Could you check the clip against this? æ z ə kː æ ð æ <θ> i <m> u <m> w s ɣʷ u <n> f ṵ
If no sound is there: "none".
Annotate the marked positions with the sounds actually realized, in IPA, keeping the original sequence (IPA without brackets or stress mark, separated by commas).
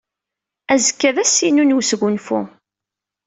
s, n, n, n